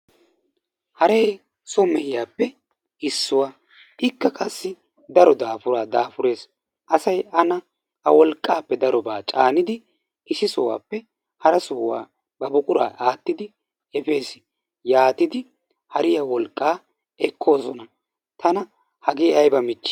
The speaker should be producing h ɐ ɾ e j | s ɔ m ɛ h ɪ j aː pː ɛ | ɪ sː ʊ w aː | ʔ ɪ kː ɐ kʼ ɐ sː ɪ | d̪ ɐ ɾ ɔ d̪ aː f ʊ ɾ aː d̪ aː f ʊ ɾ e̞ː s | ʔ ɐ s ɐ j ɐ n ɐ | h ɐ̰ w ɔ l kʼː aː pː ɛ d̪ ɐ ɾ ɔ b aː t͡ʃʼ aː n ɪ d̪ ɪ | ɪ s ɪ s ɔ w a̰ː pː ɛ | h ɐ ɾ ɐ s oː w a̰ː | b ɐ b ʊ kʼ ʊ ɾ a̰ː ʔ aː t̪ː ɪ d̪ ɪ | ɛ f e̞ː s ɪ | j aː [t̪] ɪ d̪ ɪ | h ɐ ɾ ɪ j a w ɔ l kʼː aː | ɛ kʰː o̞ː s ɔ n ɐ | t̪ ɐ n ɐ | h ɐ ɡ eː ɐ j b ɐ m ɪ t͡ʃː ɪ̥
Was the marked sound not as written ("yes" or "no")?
no